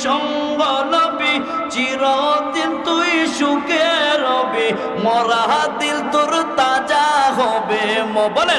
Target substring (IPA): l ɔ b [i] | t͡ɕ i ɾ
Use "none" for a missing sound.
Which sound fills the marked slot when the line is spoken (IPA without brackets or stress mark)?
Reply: i